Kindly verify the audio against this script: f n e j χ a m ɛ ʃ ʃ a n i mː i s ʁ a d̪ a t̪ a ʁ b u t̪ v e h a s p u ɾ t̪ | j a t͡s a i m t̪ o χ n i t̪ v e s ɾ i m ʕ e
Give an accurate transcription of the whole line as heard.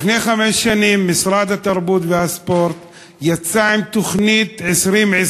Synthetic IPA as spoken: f n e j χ a m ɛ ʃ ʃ a n i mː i s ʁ a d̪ a t̪ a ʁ b u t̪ v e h a s p o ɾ t̪ | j a t͡s a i m t̪ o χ n i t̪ ʕ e s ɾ i m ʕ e